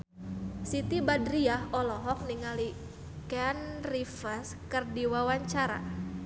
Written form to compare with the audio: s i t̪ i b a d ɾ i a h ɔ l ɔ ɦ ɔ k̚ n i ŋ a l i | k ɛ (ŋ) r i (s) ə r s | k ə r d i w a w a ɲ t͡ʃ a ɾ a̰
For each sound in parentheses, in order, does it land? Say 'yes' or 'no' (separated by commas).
no, no